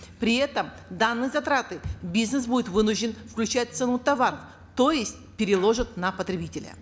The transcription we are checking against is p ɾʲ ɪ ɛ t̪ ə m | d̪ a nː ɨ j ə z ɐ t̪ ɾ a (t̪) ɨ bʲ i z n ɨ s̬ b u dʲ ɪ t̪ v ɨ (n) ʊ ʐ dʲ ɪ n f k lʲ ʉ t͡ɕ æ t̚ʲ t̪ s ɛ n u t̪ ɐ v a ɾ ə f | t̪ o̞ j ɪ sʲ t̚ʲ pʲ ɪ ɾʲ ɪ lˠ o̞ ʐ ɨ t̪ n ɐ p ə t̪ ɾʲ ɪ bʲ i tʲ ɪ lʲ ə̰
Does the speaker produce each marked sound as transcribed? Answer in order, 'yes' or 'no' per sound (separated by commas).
yes, yes